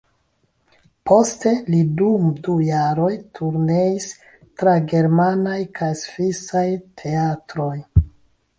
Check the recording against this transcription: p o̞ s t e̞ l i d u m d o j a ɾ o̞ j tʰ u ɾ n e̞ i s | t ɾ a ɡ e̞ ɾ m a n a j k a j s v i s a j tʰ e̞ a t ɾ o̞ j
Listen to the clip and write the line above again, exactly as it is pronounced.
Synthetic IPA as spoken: p o̞ s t e̞ l i d u m d u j a ɾ o̞ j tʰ u ɾ n e̞ i s | t ɾ a ɡ e̞ ɾ m a n a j k a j s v i s a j tʰ e̞ a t ɾ o̞ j